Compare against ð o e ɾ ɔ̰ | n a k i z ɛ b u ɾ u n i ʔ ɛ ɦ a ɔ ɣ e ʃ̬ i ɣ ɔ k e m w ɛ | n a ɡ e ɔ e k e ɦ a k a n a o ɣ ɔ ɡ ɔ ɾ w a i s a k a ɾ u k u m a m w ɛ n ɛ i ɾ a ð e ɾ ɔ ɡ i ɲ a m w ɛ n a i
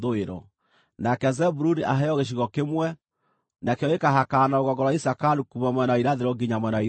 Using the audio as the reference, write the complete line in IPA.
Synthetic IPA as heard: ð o e ɾ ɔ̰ | n a k ɛ z ɛ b u ɾ u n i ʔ a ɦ ɛ ɔ ɣ e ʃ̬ i ɣ ɔ k e m w ɛ | n a k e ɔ e k a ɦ a k a n a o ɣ ɔ ɡ ɔ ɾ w a i s a k a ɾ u k u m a m w ɛ n a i ɾ a ð e ɾ ɔ ɡ i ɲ a m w ɛ n a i